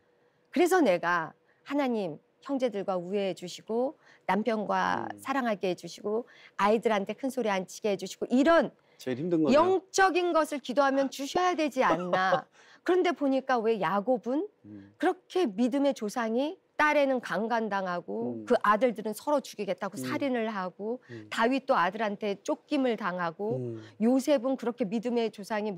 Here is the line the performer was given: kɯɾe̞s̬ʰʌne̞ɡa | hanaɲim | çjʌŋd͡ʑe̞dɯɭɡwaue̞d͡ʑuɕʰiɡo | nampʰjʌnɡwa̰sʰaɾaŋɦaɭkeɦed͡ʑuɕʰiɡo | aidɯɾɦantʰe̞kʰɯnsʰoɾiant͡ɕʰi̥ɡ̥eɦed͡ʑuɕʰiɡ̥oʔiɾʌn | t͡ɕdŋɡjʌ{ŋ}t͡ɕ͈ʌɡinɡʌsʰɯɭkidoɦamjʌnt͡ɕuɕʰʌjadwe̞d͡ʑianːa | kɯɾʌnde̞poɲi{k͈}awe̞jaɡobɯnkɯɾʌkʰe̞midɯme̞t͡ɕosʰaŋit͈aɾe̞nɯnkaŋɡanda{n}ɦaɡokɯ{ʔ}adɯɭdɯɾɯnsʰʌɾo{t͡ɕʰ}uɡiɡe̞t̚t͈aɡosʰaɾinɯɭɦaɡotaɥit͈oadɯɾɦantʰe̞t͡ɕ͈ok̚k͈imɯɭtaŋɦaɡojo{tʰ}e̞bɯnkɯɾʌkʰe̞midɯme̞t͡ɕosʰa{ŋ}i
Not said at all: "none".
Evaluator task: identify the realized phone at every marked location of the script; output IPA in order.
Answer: ŋ, k͈, ŋ, ʔ, t͡ɕ, sʰ, ŋ

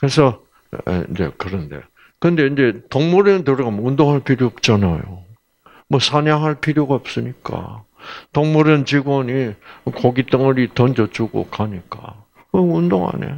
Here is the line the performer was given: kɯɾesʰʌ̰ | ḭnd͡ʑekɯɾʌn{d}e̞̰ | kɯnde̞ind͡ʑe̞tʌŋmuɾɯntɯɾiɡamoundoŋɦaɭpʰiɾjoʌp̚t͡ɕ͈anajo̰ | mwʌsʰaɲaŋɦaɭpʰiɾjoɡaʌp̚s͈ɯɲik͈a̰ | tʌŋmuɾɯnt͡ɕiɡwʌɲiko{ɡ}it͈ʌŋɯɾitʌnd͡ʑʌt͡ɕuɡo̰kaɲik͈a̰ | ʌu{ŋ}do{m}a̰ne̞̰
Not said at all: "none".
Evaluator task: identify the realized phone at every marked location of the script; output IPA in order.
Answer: d, ɡ, n, ŋ

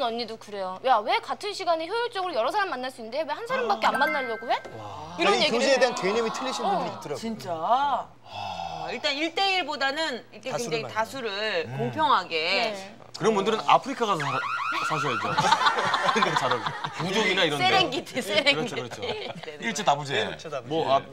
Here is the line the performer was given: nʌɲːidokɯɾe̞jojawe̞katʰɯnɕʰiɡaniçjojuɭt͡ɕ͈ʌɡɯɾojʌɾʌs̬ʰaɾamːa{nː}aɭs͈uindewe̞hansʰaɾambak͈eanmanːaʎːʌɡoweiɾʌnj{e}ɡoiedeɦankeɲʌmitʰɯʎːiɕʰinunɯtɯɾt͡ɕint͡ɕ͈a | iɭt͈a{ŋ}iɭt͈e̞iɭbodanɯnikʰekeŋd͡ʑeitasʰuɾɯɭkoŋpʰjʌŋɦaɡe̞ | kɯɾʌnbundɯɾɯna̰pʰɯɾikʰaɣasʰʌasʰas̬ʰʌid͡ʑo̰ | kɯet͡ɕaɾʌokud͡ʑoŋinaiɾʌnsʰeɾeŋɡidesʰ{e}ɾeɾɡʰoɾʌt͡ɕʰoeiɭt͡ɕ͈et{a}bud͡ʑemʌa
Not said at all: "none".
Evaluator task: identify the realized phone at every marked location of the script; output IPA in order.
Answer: nː, e, n, e, a

